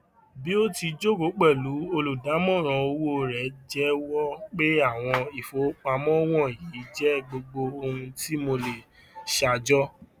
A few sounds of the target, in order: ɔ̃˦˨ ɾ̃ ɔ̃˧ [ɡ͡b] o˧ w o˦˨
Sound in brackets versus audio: incorrect: none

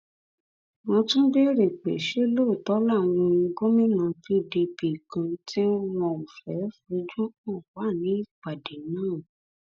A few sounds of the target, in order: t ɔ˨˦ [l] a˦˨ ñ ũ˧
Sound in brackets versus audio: correct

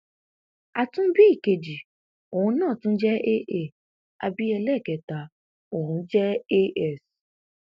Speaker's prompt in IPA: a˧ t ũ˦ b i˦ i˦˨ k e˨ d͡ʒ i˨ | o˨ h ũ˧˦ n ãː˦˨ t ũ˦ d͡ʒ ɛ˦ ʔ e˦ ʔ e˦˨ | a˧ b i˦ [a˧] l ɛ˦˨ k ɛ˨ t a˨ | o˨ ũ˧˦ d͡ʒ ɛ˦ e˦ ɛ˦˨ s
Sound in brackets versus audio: incorrect: ɛ˧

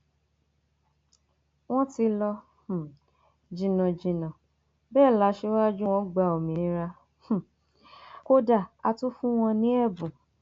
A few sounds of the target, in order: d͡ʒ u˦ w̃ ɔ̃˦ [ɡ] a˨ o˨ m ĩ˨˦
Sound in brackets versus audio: incorrect: ɡ͡b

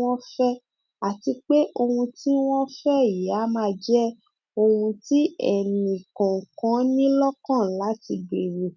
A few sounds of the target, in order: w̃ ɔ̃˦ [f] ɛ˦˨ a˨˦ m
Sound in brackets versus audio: correct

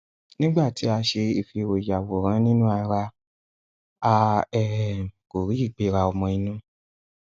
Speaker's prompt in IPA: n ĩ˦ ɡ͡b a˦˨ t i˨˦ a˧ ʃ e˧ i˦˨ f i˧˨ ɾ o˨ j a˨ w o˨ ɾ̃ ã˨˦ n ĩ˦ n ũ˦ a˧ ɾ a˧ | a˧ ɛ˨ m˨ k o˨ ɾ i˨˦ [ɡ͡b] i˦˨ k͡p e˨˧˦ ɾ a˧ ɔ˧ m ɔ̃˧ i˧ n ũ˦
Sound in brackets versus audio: incorrect: none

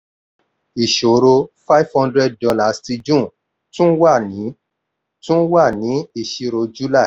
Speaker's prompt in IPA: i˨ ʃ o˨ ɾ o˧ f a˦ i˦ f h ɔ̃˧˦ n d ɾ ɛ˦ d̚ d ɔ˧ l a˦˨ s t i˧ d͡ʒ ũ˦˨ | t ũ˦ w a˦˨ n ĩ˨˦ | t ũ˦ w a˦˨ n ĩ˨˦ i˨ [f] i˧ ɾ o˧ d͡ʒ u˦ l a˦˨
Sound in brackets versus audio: incorrect: ʃ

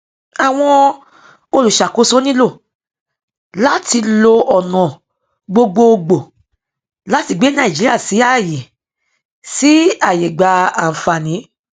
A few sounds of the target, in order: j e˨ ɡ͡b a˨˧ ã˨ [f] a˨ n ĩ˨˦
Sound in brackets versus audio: correct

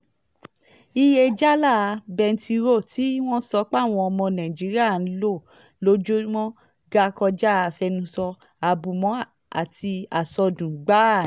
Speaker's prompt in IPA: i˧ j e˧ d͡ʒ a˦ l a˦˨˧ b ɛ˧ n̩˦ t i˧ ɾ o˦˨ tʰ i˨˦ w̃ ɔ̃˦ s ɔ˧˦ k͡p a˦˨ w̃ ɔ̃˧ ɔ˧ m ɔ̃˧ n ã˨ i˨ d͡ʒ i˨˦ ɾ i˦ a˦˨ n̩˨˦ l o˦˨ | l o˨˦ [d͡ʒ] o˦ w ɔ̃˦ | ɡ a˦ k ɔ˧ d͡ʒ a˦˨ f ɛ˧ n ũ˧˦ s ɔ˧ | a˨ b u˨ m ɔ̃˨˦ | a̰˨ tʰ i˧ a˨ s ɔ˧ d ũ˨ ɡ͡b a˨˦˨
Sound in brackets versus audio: correct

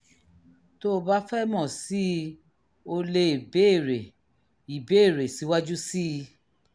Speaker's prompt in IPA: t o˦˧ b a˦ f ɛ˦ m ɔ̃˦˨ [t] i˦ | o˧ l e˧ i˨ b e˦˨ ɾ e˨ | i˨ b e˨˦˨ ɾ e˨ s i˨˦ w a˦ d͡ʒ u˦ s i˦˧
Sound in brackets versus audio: incorrect: s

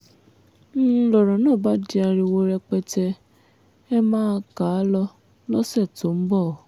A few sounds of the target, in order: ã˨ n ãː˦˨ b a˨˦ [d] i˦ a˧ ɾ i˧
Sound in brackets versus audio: correct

